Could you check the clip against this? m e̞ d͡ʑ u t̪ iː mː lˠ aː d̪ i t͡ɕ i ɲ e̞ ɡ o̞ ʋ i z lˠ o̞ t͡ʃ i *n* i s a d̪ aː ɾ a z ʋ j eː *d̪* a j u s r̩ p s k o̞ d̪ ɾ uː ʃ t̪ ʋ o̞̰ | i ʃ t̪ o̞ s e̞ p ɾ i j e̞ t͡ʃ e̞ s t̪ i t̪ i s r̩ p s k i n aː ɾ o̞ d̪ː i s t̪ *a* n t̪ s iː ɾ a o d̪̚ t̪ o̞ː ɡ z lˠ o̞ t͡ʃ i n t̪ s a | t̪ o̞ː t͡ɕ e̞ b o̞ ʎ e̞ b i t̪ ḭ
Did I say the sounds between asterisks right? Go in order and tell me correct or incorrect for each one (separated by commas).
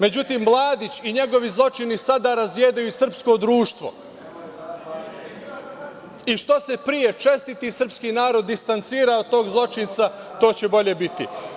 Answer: correct, correct, correct